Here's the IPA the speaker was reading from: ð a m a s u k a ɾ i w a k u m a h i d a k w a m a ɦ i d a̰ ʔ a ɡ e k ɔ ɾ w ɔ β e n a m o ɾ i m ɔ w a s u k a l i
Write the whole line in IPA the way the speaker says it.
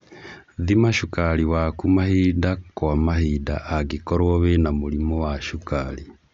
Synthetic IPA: ð i m a ʃ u k a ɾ i w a k u m a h i d a k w a m a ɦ i d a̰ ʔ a ɡ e k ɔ ɾ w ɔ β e n a m o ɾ i m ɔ w a ʃ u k a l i